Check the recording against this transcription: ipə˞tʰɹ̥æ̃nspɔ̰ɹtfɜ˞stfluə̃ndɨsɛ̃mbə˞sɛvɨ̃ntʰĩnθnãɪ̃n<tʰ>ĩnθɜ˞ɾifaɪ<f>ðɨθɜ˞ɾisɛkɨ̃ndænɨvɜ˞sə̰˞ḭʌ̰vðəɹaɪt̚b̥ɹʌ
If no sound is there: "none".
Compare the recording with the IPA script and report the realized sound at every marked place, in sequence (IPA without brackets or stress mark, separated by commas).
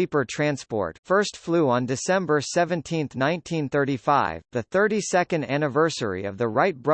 tʰ, v